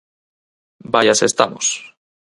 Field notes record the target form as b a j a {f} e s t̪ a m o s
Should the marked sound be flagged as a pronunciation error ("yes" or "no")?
yes